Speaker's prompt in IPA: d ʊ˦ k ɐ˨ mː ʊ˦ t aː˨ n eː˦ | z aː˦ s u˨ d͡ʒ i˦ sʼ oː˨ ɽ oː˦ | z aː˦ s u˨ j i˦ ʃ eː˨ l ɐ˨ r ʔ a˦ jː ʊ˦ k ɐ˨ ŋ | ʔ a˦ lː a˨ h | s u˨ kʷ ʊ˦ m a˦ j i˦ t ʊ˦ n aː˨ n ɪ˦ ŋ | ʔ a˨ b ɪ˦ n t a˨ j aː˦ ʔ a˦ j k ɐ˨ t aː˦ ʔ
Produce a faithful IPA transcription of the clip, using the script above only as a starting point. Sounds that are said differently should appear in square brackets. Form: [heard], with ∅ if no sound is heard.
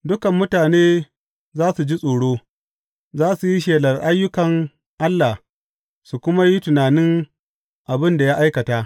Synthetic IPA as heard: d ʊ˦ k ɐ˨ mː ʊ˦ t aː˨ n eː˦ | z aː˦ s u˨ d͡ʒ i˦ sʼ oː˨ ɽ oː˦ | z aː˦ s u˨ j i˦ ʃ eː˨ l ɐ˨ r ʔ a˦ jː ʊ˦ k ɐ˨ ŋ | ʔ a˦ lː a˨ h | s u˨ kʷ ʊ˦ m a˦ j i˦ t [ʊ˨] n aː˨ n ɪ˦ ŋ | ʔ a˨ b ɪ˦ n [d] a˨ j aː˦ ʔ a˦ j k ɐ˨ t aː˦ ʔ